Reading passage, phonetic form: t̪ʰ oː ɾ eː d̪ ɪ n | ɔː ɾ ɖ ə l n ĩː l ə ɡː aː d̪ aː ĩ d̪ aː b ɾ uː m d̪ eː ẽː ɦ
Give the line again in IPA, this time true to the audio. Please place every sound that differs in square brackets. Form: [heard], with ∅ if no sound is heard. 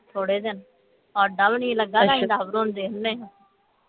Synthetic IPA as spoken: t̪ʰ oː [ɽ] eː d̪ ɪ n | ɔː ɾ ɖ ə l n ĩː l ə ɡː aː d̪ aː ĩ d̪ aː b ɾ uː [n] d̪ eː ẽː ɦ

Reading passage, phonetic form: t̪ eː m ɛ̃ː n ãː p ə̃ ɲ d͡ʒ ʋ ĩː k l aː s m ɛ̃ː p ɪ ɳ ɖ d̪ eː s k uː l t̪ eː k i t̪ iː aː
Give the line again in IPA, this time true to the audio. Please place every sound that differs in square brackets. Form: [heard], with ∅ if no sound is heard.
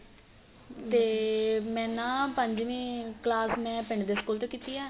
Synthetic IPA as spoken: t̪ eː m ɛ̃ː n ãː p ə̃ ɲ d͡ʒ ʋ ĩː k l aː s m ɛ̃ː p ɪ ɳ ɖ d̪ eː s k uː l t̪ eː k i t̪ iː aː

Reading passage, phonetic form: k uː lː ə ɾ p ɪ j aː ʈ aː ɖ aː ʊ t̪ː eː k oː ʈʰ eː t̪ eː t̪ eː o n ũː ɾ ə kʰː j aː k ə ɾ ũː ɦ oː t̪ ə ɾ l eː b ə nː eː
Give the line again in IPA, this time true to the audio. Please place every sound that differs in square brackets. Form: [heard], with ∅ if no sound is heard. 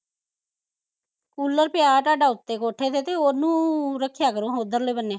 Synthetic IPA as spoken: k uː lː ə ɾ p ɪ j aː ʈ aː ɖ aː ʊ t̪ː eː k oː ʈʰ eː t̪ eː t̪ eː o n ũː ɾ ə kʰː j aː k ə ɾ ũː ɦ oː [d̪] ə ɾ l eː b ə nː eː

